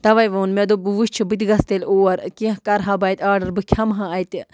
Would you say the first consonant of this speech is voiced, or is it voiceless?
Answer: voiceless